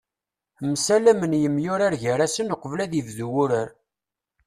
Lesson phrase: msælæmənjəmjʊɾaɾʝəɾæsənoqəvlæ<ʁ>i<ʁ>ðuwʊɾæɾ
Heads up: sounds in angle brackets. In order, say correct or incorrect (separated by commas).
incorrect, incorrect